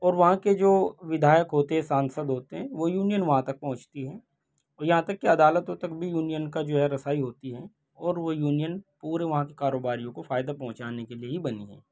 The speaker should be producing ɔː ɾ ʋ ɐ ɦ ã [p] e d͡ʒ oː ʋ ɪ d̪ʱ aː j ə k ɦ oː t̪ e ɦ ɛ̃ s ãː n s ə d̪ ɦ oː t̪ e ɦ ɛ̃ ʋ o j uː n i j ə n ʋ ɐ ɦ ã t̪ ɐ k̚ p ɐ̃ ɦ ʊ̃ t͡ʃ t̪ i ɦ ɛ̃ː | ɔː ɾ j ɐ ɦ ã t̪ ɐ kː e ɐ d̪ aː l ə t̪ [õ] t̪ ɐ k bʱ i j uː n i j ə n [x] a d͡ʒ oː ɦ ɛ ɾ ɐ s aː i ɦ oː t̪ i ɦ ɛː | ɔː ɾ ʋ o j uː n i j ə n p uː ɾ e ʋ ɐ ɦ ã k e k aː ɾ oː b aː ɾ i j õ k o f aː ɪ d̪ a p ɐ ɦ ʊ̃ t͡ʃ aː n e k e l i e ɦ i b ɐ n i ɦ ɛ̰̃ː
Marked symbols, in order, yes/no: no, yes, no

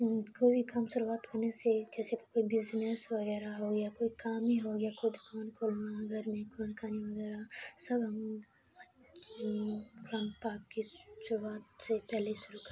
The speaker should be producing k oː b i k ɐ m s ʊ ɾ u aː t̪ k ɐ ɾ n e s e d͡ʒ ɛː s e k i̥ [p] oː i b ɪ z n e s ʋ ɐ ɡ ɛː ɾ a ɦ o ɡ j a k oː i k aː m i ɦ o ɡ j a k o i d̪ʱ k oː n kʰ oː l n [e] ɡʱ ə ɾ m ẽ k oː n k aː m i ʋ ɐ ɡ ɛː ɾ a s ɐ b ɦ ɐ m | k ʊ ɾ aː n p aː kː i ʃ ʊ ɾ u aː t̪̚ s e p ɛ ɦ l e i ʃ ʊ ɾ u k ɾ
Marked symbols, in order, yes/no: no, no

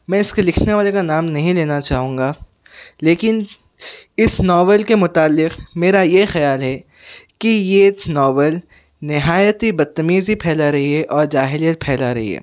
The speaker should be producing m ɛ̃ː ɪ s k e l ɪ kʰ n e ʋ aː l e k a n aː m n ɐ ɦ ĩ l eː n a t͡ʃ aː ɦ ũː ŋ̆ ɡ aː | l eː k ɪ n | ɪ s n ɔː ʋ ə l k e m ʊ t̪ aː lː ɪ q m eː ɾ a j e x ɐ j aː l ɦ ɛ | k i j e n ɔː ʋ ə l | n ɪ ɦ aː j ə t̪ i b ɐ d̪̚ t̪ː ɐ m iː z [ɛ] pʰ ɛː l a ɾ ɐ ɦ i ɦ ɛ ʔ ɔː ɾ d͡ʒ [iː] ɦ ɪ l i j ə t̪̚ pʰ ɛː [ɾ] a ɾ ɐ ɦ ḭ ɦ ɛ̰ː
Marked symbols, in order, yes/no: no, no, no

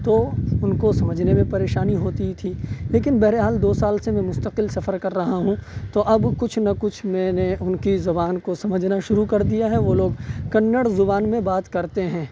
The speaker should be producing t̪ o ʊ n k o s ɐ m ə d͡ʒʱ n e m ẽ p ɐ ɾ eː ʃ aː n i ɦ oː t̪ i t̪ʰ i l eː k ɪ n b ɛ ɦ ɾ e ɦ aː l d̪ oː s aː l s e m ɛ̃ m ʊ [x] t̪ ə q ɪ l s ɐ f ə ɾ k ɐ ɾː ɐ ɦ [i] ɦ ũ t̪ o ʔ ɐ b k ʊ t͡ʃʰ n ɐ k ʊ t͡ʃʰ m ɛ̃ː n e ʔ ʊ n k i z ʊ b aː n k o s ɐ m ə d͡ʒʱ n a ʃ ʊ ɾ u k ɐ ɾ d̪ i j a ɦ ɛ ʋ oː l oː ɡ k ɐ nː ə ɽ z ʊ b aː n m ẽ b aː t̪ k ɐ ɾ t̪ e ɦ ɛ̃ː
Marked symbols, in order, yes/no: no, no

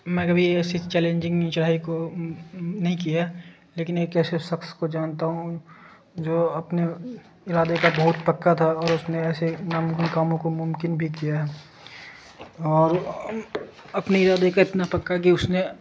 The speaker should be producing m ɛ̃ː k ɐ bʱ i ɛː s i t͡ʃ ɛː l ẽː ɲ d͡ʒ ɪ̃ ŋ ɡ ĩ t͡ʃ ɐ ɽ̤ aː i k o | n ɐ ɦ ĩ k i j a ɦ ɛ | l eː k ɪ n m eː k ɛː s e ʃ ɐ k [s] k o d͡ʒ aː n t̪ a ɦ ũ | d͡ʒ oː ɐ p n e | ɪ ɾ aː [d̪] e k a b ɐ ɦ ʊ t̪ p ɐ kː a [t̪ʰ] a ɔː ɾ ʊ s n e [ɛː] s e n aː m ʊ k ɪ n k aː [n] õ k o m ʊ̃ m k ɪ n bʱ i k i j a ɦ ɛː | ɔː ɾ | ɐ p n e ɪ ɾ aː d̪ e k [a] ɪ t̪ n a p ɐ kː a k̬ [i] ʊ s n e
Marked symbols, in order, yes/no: yes, yes, yes, yes, no, yes, yes

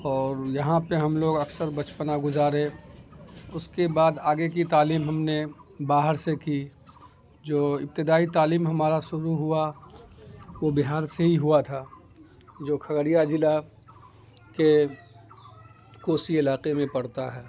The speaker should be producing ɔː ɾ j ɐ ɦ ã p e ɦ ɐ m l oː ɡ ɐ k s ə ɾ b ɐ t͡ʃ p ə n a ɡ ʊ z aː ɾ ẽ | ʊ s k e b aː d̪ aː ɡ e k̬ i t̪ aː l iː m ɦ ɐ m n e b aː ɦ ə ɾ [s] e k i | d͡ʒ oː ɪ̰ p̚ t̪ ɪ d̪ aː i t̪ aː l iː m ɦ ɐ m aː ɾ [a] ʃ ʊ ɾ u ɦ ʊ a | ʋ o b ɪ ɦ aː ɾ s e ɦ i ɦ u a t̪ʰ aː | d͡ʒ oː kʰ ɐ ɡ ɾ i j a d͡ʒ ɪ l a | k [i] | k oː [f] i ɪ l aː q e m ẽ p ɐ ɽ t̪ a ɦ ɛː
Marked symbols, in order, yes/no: yes, yes, no, no

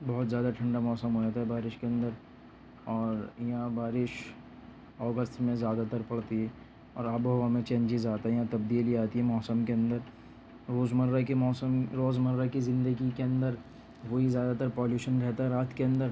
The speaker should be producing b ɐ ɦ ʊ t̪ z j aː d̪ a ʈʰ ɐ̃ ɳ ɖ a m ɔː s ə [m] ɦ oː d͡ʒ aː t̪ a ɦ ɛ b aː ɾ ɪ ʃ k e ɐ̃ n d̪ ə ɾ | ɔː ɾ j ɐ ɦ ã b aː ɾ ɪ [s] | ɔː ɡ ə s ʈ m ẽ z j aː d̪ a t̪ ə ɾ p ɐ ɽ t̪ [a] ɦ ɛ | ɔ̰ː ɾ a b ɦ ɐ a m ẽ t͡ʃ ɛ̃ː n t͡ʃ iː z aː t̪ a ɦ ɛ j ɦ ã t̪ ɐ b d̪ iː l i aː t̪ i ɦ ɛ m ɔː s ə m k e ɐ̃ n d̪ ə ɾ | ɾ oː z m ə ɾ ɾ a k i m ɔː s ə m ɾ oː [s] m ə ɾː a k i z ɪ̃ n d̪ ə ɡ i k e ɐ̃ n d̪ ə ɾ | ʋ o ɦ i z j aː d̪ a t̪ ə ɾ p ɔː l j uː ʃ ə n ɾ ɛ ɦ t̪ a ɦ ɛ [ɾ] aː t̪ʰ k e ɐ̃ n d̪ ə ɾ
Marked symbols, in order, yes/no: yes, no, no, no, yes

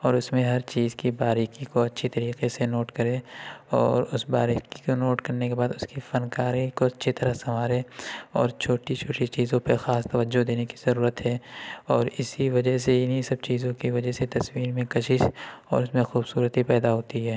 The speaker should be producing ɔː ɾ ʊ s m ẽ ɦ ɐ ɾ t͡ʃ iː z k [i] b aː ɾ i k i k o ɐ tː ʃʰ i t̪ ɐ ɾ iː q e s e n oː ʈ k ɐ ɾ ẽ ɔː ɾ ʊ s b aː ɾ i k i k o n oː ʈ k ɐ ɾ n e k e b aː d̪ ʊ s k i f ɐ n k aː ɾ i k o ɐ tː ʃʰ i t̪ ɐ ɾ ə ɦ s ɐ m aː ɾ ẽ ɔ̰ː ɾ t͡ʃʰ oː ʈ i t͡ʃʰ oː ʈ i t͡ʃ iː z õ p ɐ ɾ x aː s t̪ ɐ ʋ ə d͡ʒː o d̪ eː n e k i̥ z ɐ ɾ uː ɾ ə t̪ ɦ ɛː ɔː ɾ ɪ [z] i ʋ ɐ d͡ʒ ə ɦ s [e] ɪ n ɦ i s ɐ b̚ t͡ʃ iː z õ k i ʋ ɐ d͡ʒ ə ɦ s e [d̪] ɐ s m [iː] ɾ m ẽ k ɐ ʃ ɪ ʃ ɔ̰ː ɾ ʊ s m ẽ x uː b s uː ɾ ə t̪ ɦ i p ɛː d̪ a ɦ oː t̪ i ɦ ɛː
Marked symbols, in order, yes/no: yes, no, yes, no, yes

